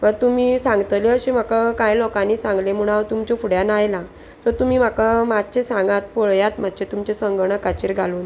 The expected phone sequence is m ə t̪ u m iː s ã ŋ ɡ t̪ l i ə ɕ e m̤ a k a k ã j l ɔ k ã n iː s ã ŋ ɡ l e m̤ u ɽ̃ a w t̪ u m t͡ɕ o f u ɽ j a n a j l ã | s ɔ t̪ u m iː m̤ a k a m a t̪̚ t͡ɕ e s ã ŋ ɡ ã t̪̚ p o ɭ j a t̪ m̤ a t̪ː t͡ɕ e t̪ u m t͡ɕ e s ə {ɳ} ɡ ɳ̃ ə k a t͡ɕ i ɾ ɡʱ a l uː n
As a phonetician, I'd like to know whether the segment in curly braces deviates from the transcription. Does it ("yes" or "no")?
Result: yes